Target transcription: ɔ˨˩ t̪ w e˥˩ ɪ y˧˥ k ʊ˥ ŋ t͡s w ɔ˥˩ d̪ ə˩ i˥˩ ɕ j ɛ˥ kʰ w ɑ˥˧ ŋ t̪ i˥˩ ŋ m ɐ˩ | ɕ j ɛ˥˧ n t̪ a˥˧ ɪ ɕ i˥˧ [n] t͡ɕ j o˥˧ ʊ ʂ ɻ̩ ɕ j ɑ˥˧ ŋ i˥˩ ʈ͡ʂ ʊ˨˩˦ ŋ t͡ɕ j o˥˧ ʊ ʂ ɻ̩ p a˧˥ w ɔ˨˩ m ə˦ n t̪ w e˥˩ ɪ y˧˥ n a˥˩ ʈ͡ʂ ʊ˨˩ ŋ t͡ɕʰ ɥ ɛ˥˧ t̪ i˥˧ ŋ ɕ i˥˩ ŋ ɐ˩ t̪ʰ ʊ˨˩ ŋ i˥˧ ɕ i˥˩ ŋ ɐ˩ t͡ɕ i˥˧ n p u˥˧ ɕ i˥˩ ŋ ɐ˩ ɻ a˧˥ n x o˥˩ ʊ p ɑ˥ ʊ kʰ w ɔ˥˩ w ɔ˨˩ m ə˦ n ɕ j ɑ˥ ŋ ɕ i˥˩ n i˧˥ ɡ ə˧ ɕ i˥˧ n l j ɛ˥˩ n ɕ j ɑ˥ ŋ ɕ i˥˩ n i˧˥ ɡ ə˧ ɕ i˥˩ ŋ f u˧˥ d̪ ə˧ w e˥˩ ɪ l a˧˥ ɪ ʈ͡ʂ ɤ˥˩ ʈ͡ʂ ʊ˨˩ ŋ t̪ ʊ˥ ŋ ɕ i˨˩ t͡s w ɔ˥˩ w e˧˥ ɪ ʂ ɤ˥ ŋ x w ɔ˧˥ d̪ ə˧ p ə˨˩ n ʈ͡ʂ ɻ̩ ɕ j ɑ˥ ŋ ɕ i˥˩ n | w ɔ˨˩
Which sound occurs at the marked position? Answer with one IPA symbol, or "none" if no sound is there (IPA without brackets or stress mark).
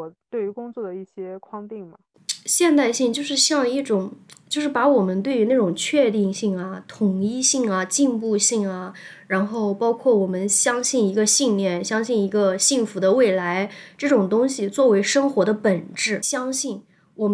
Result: ŋ